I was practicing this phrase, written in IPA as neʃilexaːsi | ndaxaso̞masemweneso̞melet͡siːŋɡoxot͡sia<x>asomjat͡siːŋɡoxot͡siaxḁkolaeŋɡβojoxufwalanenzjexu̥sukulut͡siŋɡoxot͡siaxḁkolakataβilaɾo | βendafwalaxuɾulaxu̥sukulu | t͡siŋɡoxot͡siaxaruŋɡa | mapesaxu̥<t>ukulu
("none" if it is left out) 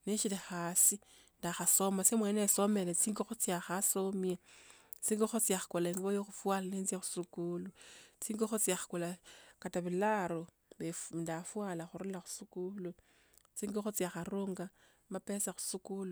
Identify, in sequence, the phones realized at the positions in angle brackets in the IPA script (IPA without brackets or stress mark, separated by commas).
x, s